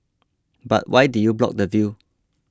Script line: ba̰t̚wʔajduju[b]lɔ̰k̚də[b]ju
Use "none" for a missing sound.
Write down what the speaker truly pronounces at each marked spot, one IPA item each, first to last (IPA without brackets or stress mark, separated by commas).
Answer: b, v